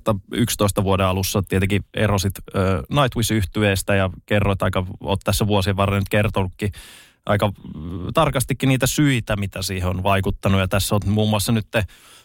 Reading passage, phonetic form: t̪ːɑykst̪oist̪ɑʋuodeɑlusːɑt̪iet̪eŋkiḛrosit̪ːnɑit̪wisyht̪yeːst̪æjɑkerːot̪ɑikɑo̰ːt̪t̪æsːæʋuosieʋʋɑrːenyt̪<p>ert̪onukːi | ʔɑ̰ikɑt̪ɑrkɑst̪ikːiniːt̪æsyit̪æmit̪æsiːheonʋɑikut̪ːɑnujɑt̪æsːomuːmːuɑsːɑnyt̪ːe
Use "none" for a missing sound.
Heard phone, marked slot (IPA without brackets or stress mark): k